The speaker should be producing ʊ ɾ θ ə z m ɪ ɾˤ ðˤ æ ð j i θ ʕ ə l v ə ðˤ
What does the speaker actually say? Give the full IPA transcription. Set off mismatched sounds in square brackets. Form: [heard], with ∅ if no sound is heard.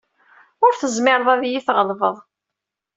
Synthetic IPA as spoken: ʊ ɾ θ ə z m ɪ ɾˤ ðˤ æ ð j i θ [ʁ] ə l v ə ðˤ